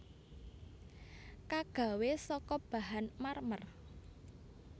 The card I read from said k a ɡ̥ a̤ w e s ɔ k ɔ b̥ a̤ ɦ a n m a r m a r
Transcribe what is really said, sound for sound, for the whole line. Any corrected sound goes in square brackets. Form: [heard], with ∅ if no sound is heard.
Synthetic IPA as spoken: k a ɡ̥ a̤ w e s ɔ k ɔ b̥ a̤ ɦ a n m a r m [ə] r